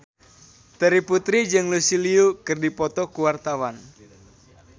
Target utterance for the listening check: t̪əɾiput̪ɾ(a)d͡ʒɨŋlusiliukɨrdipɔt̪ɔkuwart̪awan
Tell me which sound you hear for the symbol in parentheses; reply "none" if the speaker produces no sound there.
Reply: i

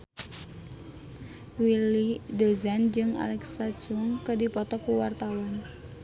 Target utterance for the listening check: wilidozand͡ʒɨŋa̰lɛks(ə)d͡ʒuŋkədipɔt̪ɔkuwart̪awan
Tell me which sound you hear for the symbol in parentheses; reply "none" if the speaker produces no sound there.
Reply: a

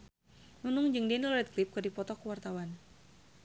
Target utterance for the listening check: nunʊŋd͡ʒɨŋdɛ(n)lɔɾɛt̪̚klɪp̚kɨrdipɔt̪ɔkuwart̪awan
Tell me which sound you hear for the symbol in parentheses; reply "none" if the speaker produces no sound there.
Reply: n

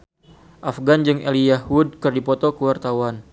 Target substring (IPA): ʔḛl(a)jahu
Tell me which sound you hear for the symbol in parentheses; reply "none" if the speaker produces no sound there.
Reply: i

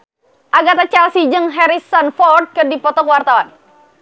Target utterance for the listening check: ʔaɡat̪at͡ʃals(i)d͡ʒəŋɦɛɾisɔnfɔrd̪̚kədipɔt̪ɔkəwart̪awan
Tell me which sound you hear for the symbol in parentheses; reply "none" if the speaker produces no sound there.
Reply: i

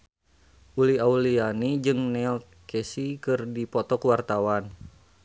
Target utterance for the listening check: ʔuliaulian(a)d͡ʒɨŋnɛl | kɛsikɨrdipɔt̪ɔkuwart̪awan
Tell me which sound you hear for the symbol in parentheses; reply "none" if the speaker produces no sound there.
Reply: i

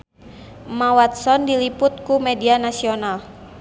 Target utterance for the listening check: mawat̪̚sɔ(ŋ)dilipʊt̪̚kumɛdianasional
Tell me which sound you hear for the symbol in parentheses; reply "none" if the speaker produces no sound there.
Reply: n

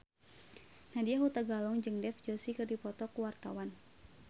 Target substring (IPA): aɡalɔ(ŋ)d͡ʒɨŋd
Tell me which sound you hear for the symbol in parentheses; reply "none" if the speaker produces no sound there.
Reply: ŋ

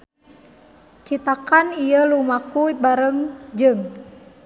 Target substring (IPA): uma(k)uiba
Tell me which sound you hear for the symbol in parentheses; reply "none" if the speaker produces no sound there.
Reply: k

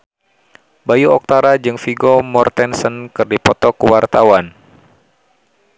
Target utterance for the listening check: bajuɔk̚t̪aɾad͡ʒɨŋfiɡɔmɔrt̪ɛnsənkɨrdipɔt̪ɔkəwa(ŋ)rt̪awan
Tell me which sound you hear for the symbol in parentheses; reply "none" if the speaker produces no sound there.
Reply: none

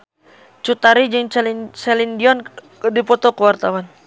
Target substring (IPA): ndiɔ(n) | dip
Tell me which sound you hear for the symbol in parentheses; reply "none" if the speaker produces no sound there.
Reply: n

